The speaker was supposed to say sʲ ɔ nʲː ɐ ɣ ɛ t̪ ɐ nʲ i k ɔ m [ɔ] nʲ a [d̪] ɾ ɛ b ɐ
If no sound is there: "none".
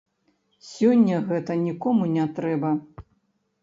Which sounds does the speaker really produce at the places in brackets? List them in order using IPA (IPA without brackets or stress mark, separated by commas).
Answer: u, t̪